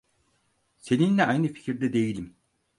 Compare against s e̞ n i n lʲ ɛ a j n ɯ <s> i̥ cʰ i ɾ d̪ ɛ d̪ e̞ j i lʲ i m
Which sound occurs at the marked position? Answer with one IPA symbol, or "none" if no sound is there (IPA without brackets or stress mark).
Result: f